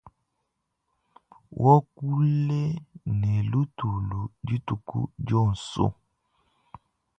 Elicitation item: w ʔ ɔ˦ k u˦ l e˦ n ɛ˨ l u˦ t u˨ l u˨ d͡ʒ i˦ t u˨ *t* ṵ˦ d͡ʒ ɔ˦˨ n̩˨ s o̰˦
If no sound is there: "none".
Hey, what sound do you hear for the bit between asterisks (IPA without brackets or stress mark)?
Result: k